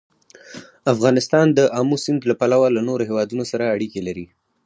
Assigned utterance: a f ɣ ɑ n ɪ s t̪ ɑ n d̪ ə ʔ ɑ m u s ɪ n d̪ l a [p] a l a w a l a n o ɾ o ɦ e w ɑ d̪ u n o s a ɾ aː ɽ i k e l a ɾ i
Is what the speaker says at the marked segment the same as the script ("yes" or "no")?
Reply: yes